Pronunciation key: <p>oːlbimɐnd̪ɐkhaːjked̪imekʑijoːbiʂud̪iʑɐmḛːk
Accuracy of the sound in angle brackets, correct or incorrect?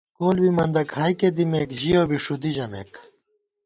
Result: incorrect